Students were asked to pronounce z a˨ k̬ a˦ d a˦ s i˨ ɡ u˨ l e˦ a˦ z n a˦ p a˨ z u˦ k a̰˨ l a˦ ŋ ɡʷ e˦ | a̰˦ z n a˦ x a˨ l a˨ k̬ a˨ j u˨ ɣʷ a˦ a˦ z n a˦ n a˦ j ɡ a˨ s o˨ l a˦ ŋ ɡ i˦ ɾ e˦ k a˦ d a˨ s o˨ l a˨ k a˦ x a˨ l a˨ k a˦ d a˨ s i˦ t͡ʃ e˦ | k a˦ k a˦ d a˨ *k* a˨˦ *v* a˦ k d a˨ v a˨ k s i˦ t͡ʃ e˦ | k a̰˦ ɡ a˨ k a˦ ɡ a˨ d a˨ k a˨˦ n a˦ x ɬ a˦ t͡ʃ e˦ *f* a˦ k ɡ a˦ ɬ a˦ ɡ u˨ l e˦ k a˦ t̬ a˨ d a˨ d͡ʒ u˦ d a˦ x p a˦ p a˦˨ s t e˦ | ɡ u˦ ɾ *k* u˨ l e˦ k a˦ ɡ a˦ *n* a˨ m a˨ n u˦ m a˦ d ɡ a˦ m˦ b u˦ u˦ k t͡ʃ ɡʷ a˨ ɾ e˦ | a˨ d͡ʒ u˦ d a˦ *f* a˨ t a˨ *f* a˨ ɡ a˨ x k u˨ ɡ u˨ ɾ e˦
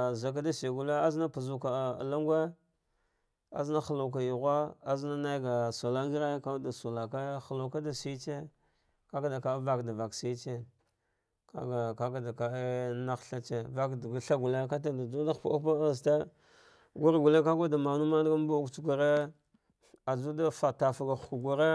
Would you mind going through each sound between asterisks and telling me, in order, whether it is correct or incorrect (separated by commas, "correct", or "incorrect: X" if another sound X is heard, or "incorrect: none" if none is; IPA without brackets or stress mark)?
correct, correct, incorrect: v, incorrect: ɡ, incorrect: d, correct, correct